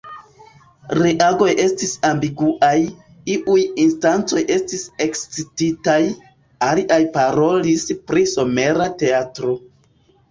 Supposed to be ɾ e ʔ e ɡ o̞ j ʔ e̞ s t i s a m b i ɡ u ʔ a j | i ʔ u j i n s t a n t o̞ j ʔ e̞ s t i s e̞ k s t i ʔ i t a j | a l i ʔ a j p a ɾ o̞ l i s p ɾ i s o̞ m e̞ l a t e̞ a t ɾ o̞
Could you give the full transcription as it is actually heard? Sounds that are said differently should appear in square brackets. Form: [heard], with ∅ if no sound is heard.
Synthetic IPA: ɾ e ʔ [a] ɡ o̞ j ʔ e̞ s t i s a m b i ɡ u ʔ a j | i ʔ u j i n s t a n [t͡s] o̞ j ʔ e̞ s t i s e̞ k s [t͡s] i [t] i t a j | a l i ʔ a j p a ɾ o̞ l i s p ɾ i s o̞ m e̞ [ɾ] a t e̞ a t ɾ o̞